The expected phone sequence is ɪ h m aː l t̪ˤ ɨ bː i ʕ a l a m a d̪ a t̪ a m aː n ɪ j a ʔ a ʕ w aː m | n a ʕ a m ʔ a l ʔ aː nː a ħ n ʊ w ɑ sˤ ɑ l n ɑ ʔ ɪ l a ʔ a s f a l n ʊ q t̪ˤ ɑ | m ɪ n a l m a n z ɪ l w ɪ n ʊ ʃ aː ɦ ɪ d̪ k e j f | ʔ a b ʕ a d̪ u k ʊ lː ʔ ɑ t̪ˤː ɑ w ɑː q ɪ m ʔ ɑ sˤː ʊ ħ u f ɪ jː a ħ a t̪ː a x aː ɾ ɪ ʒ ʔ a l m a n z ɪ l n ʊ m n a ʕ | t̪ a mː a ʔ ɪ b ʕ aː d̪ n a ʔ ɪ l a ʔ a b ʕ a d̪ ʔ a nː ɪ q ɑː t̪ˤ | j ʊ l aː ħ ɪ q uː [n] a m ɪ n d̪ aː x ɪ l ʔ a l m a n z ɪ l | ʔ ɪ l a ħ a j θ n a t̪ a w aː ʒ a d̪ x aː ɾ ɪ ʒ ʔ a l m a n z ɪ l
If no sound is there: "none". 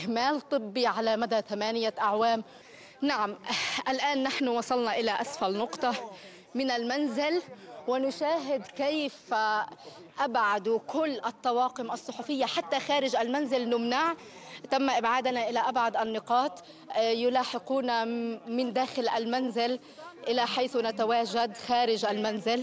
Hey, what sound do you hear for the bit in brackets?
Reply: n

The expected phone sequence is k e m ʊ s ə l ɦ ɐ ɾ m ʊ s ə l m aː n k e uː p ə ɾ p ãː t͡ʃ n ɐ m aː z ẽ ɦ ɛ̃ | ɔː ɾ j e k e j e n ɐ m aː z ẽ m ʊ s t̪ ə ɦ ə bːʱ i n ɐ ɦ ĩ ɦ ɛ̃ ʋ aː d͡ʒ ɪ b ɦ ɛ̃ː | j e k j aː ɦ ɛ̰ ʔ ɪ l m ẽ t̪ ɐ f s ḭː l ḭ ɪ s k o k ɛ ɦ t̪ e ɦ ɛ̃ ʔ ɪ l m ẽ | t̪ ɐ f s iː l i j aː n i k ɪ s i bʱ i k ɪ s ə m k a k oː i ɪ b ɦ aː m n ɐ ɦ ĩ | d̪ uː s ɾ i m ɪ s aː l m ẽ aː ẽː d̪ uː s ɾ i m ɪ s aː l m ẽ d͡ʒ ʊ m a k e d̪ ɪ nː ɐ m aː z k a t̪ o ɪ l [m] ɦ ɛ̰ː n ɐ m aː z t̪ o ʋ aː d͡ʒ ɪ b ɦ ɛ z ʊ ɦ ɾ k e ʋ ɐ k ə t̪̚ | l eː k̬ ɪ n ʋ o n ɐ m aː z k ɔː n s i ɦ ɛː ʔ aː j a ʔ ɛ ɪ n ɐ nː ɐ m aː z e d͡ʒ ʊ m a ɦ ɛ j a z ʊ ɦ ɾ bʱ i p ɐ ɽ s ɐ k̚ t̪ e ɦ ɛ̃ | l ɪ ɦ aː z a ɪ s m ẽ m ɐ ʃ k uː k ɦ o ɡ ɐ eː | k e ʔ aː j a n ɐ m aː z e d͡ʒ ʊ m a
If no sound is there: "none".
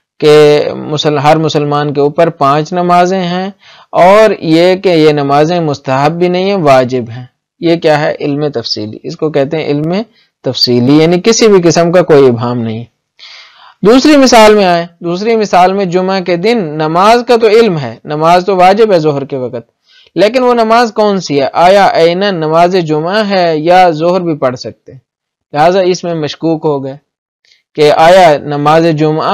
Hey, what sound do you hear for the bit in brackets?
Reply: m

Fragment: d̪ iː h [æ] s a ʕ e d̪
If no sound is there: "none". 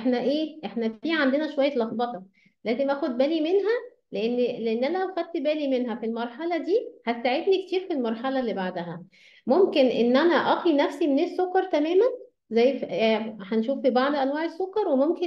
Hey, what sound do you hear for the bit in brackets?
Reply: æ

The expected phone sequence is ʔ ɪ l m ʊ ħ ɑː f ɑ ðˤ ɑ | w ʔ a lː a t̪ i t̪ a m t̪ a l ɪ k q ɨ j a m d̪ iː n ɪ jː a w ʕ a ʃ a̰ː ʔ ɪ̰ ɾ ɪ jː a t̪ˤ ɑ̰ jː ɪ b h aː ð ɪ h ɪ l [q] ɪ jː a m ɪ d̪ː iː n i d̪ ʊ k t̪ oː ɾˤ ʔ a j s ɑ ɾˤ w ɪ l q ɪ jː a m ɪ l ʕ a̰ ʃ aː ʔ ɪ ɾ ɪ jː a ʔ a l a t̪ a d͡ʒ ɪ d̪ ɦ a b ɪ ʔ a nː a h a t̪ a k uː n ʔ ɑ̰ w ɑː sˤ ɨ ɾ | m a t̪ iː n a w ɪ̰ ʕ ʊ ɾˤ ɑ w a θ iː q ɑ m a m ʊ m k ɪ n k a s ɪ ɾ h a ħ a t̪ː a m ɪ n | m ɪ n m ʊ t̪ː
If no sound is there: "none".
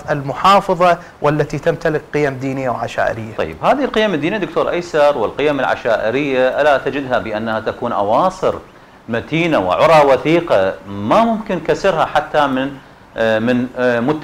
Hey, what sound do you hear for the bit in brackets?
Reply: q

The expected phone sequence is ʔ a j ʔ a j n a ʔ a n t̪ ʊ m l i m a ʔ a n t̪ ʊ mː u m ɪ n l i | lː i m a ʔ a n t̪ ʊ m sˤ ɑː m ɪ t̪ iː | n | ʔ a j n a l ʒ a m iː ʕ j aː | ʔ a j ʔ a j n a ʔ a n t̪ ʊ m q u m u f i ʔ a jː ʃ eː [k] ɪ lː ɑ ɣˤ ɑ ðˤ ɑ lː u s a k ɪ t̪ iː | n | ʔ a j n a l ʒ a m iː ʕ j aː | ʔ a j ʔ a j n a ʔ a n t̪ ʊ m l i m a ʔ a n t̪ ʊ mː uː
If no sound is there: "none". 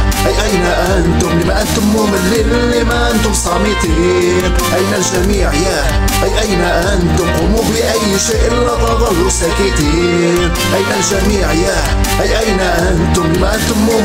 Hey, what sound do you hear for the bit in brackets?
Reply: ʔ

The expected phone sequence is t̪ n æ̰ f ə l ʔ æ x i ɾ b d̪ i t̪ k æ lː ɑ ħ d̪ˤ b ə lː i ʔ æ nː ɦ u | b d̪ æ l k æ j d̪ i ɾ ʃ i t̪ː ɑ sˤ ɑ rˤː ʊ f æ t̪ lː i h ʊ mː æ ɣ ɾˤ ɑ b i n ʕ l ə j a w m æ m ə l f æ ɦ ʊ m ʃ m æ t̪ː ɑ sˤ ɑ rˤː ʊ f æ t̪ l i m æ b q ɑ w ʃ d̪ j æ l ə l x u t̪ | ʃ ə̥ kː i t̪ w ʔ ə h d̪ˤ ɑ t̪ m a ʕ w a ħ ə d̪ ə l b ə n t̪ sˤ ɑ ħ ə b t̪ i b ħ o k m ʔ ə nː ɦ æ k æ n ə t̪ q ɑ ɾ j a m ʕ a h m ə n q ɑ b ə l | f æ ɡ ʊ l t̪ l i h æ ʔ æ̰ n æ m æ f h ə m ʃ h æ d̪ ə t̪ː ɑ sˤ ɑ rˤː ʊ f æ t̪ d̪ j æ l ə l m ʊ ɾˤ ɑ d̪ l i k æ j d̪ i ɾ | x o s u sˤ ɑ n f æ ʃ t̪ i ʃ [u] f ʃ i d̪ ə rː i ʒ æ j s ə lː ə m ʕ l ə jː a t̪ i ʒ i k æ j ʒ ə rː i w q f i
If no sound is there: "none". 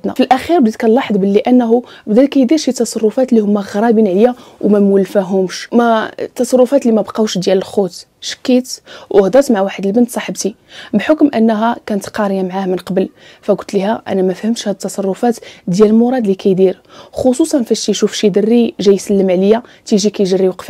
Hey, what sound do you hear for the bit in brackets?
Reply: u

